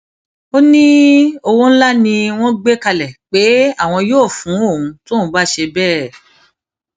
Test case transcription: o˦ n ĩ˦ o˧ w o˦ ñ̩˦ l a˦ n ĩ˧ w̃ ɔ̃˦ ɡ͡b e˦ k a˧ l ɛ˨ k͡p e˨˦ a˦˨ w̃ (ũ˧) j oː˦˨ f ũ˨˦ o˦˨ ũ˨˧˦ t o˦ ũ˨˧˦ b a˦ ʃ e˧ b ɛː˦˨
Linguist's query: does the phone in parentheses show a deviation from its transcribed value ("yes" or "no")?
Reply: yes